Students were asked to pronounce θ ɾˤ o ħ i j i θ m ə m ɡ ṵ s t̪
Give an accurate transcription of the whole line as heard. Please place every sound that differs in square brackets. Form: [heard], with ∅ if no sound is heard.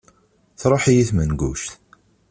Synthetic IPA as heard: θ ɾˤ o ħ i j i θ m ə [n] ɡ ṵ [ʃ] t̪